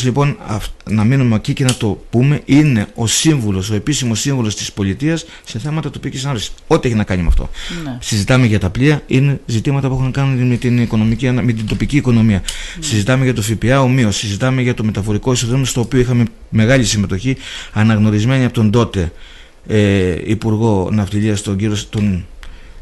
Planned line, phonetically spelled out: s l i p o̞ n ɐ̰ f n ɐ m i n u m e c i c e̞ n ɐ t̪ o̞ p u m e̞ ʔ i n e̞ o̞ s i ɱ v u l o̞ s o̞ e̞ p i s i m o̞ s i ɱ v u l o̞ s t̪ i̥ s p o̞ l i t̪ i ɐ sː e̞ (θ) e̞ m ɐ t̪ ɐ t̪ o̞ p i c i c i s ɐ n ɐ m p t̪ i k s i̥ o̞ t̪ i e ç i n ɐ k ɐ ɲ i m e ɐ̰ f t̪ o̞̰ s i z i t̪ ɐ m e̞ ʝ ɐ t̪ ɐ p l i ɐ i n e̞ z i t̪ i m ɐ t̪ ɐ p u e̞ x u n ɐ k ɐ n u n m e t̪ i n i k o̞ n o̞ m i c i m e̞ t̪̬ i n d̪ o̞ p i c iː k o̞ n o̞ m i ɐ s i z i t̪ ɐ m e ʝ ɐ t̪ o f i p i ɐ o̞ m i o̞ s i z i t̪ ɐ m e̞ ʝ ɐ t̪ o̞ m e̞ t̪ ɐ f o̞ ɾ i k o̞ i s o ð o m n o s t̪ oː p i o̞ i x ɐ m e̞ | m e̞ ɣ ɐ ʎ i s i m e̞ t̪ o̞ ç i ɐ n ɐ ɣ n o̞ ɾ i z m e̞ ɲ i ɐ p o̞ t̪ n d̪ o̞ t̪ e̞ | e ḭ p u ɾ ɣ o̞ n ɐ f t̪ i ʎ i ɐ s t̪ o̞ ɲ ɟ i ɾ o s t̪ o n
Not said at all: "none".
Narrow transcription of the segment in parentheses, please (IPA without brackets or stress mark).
θ